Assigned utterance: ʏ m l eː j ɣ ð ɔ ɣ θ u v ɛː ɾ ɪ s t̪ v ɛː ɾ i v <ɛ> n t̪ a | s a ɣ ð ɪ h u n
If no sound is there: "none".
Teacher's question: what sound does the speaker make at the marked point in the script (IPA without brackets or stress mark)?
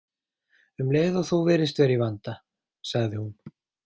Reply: a